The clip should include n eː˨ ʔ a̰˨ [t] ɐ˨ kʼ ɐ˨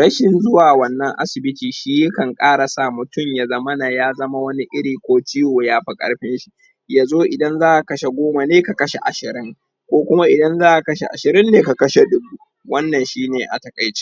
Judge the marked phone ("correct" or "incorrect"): correct